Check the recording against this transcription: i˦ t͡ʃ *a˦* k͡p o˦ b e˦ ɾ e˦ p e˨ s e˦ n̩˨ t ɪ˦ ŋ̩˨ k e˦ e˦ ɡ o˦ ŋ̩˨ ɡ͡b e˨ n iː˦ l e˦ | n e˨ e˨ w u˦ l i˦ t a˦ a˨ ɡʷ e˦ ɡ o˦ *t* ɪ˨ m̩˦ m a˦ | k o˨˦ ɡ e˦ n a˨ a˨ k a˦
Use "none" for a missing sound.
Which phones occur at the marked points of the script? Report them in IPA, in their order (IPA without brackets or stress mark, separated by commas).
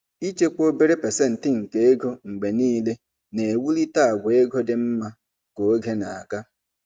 e˦, d